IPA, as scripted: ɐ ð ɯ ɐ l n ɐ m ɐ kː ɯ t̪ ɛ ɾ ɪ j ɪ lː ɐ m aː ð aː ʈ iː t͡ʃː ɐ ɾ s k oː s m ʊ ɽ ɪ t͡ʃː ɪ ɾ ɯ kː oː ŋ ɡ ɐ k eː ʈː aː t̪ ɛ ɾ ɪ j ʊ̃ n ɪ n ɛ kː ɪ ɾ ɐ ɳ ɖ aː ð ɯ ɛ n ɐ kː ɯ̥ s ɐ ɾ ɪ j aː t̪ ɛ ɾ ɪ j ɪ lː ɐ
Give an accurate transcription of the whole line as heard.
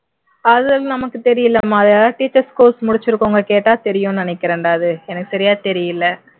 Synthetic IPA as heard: ɐ ð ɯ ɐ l n ɐ m ɐ kː ɯ t̪ ɛ ɾ ɪ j ɪ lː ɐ m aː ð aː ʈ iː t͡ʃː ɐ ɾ s k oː s m ʊ ɽ ɪ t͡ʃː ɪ ɾ ɯ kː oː ŋ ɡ ɐ k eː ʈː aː t̪ ɛ ɾ ɪ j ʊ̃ n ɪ n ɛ kː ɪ ɾ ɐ ɳ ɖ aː ð ɯ ɛ n ɐ kː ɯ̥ s ɐ ɾ ɪ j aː t̪ ɛ ɾ ɪ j ɪ lː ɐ